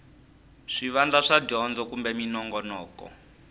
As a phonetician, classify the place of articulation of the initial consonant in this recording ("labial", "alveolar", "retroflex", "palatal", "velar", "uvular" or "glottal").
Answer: retroflex